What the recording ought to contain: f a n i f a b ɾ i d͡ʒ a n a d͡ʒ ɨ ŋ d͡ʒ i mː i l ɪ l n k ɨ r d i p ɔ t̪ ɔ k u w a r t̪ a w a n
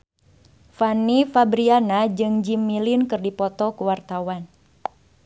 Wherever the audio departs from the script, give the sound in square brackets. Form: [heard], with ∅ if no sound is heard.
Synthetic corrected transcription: f a n i f a b ɾ i [∅] a n a d͡ʒ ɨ ŋ d͡ʒ i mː i l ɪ [∅] n k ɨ r d i p ɔ t̪ ɔ k u w a r t̪ a w a n